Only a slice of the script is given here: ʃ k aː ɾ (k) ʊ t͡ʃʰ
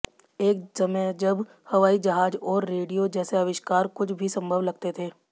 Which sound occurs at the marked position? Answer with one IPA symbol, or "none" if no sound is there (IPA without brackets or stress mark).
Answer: k